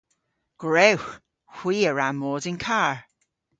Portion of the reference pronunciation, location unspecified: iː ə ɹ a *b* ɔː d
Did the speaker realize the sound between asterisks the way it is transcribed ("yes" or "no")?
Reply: no